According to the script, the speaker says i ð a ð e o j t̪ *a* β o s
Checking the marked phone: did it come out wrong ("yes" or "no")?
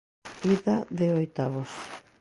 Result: no